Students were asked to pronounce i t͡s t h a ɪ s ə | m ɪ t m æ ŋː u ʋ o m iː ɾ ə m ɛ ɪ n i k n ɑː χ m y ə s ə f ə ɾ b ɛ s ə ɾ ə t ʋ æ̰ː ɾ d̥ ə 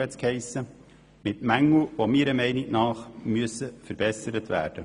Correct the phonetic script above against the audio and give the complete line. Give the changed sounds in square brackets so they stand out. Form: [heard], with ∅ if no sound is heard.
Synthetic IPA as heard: [ɛ] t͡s [k] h [ɛ] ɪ s ə | m ɪ t m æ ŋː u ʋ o m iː ɾ ə m ɛ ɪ n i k n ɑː χ m y ə s ə f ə ɾ b ɛ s ə ɾ ə t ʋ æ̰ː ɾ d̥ ə